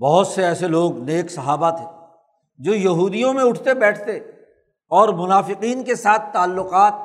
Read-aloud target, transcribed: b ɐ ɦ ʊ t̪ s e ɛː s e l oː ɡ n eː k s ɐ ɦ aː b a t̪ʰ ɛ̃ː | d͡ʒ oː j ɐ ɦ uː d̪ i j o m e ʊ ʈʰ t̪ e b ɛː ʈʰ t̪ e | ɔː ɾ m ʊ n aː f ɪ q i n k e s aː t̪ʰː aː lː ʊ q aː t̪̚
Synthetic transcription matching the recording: b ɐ ɦ ʊ t̪ s e ɛː s e l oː ɡ n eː k s ɐ ɦ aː b a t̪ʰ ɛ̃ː | d͡ʒ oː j ɐ ɦ uː d̪ i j õ m ẽ ʊ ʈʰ t̪ e b ɛː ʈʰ t̪ e | ɔː ɾ m ʊ n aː f ɪ q iː n k e s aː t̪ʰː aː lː ʊ q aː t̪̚